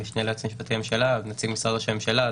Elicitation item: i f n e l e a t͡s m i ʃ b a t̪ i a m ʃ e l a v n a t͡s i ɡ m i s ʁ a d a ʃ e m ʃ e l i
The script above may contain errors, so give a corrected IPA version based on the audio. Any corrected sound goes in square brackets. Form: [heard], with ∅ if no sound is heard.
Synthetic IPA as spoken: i [ʃ] n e l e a t͡s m i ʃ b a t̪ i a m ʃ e l a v n a t͡s i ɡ m i s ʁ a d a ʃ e m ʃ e l [a]